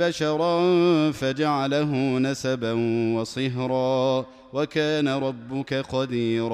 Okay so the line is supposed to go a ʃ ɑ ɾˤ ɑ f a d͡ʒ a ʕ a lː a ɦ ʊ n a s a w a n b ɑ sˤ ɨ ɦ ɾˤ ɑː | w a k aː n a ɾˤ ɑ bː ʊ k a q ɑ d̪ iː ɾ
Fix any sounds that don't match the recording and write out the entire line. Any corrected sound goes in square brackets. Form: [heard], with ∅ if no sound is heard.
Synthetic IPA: a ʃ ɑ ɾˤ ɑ f a d͡ʒ a ʕ a [l] a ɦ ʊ n a s a [b] a n [w] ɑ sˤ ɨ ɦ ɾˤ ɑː | w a k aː n a ɾˤ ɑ bː ʊ k a q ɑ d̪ iː ɾ